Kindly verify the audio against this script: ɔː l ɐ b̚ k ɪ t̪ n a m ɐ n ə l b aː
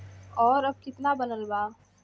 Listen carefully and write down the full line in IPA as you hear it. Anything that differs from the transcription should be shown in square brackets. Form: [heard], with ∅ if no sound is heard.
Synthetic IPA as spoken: ɔː [ɾ] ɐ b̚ k ɪ t̪ n a [b] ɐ n ə l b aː